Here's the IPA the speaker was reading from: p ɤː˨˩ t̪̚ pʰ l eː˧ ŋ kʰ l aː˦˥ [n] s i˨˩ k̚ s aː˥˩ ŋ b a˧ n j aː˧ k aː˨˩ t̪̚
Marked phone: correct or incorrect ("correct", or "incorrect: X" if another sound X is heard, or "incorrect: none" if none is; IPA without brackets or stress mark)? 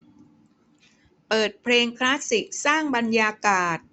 incorrect: none